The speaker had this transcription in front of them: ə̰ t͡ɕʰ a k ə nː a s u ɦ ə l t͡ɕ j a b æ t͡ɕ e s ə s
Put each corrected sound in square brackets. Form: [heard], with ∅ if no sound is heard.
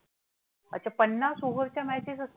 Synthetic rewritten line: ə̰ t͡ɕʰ a [p] ə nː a s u ɦ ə [ɾ] t͡ɕ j a [m] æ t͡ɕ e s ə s